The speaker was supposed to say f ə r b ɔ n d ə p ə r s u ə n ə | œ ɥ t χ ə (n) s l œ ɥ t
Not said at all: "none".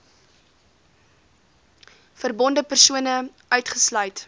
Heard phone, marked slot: none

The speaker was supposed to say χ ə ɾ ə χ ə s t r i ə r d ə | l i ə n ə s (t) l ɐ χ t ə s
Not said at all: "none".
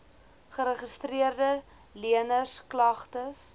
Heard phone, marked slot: k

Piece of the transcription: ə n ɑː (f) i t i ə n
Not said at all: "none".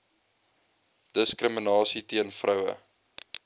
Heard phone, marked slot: s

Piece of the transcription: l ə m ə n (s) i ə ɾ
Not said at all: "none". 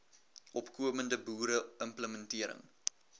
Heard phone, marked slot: t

